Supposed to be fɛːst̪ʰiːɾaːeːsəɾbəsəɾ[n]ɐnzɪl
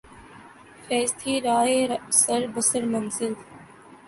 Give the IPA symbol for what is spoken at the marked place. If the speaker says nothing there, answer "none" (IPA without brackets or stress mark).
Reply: m